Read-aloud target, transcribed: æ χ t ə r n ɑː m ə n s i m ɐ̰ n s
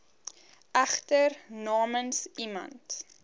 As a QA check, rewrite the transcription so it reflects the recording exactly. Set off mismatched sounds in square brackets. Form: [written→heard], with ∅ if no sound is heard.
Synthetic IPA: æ χ t ə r n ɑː m ə n s i m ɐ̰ n [s→t]